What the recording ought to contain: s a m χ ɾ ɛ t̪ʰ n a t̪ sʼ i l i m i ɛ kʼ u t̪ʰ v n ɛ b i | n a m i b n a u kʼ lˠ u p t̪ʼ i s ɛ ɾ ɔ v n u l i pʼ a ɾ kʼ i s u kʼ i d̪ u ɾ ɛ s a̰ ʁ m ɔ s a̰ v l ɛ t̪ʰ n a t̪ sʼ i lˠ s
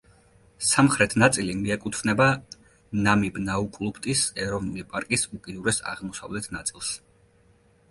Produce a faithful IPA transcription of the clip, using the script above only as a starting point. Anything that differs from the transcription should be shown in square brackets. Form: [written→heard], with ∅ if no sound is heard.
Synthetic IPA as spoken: s a m χ ɾ ɛ t̪ʰ n a t̪ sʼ i l i m i ɛ kʼ u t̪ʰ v n ɛ b [i→a] | n a m i b n a u kʼ lˠ u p t̪ʼ i s ɛ ɾ ɔ v n u l i pʼ a ɾ kʼ i s u kʼ i d̪ u ɾ ɛ s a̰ ʁ m ɔ s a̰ v l ɛ t̪ʰ n a t̪ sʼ i lˠ s